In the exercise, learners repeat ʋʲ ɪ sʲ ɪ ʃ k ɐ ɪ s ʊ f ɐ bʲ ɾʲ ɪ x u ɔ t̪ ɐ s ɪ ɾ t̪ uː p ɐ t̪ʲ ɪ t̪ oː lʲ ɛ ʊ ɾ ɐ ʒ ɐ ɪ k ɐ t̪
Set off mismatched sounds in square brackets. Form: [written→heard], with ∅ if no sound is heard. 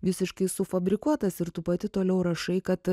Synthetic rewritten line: ʋʲ ɪ sʲ ɪ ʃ k ɐ ɪ s ʊ f ɐ bʲ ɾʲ ɪ [x→k] u ɔ t̪ ɐ s ɪ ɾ t̪ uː p ɐ t̪ʲ ɪ t̪ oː lʲ ɛ ʊ ɾ ɐ [ʒ→ʃ] ɐ ɪ k ɐ t̪